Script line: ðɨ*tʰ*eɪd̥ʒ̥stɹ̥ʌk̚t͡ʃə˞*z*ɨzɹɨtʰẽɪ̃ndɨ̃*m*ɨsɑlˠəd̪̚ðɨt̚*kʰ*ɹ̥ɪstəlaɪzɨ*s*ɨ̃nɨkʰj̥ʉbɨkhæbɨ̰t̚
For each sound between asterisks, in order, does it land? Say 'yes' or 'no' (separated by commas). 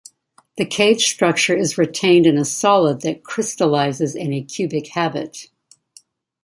no, no, no, yes, no